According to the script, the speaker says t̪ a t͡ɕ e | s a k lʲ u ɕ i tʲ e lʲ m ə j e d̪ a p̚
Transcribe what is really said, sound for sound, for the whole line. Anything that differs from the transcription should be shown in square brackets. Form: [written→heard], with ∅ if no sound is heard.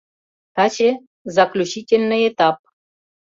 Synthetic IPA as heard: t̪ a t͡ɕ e | [s→z] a k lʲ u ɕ i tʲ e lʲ [m→n] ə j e [d̪→t̪] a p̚